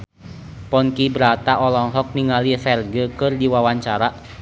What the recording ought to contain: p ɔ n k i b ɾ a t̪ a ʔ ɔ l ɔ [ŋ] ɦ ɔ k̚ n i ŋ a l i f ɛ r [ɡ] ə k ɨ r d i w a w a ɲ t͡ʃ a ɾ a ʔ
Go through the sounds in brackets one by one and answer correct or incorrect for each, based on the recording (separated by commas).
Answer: correct, correct